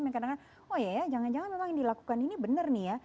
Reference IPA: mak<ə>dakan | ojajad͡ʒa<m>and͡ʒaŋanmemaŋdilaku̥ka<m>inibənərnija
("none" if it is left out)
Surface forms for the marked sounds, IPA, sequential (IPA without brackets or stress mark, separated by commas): a, ŋ, n